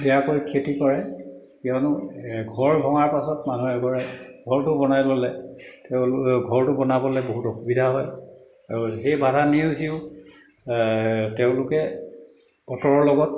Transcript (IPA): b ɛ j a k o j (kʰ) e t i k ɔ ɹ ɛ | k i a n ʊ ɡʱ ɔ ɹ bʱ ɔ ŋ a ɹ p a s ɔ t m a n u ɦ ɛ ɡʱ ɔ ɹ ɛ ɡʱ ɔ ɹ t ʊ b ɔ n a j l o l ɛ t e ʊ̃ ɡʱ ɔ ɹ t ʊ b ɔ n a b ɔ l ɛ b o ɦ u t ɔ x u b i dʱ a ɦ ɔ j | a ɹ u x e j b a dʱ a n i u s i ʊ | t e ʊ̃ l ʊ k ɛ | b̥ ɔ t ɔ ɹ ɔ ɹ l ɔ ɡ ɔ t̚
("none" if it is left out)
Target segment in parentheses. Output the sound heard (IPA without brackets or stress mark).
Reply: kʰ